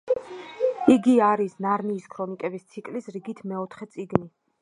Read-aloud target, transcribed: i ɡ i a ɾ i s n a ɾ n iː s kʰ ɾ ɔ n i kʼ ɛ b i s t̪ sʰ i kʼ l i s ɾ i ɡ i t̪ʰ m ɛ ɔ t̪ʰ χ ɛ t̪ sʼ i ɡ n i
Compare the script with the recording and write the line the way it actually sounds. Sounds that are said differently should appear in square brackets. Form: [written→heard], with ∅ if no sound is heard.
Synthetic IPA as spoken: i ɡ i a ɾ i s n a ɾ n iː s kʰ ɾ ɔ n i kʼ ɛ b i s t̪ sʰ i kʼ l i s ɾ i ɡ i t̪ʰ m ɛ ɔ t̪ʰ χ ɛ t̪ sʼ i ɡ n i